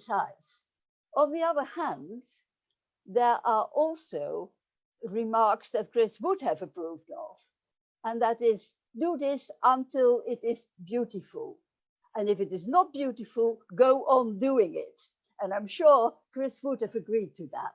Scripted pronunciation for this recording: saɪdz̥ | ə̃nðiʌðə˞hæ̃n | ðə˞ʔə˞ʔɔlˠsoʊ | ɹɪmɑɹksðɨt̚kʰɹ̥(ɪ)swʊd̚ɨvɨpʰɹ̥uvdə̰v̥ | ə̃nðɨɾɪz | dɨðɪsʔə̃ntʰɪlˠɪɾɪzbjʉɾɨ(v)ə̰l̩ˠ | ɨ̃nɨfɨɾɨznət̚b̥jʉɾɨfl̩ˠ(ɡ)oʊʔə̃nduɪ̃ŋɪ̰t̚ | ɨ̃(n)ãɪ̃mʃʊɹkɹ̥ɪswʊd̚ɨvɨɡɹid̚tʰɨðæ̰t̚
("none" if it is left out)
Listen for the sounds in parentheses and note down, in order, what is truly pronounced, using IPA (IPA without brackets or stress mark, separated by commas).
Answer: ɪ, f, ɡ, n